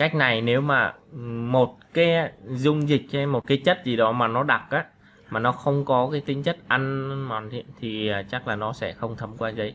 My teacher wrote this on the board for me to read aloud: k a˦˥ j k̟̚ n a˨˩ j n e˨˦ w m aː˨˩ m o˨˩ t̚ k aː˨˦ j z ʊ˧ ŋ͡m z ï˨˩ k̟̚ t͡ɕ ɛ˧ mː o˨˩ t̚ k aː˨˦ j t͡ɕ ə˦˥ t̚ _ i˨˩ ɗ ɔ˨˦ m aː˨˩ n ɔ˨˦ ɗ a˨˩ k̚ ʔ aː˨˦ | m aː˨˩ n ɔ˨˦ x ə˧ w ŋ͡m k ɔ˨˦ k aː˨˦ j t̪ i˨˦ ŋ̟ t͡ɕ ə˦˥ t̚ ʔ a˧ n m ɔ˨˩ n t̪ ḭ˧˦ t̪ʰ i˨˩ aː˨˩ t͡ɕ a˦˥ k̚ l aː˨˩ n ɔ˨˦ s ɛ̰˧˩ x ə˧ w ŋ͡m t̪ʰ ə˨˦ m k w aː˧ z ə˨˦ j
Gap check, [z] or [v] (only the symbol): z